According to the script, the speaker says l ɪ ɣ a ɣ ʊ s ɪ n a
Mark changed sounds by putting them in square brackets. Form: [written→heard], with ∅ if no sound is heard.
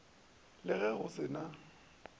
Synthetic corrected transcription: l ɪ ɣ [a→ɛ] ɣ ʊ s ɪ n a